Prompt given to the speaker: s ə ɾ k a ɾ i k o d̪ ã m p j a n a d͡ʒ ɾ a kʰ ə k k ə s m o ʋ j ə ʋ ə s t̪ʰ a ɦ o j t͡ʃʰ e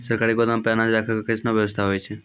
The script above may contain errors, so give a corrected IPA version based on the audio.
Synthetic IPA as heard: s ə ɾ k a ɾ i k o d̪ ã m p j a n a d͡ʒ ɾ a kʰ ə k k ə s n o ʋ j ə ʋ ə s t̪ʰ a ɦ o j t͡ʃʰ e